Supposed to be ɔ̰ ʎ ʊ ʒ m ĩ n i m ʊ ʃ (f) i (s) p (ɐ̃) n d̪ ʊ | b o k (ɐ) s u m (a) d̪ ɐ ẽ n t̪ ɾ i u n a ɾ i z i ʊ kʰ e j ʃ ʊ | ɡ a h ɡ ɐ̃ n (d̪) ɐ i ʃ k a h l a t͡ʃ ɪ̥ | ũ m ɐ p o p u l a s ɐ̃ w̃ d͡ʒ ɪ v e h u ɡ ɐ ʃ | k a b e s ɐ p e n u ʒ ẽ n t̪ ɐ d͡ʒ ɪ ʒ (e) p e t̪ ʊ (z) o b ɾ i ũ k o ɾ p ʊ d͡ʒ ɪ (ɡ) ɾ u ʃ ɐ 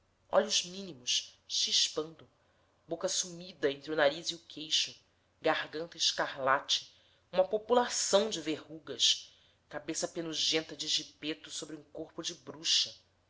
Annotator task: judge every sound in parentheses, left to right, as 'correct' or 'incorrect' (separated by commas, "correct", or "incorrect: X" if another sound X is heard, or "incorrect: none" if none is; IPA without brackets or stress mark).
incorrect: ʃ, incorrect: ʃ, correct, correct, incorrect: i, incorrect: t̪, incorrect: i, incorrect: s, incorrect: b